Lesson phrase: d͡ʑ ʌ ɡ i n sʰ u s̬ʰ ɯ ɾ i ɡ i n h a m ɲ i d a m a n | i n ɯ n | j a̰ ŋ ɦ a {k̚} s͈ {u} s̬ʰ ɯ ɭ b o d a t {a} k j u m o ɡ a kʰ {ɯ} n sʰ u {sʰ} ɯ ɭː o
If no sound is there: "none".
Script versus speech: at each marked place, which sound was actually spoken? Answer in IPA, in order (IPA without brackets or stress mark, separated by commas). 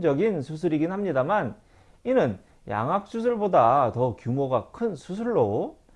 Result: k̚, u, ʌ, ɯ, sʰ